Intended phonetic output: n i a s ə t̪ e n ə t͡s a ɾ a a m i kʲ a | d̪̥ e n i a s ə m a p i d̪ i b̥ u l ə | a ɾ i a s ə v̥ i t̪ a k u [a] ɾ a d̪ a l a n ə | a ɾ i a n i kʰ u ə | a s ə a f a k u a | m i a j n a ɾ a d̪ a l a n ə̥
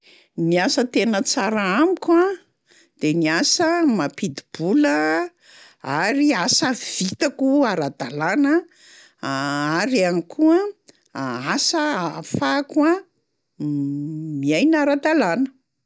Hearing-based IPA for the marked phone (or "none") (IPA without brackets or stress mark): a